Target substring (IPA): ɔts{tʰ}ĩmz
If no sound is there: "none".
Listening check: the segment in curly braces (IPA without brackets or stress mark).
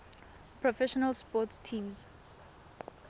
tʰ